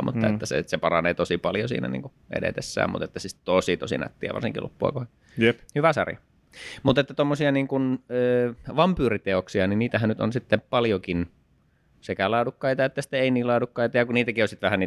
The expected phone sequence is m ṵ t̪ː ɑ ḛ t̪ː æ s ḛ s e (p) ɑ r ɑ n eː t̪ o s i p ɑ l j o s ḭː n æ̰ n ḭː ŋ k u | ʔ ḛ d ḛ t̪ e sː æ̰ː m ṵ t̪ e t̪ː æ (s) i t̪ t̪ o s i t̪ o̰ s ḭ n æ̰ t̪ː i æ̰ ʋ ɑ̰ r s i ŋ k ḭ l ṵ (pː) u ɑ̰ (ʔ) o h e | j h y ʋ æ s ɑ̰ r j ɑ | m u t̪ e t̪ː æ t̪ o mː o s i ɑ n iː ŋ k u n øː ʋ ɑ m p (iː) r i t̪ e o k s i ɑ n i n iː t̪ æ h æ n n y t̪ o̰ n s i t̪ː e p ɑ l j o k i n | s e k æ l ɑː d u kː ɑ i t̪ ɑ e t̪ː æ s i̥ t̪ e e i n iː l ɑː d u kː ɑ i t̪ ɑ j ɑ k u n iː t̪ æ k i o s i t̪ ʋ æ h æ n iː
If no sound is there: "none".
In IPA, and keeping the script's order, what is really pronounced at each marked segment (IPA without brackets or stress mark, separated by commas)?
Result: p, s, pː, k, yː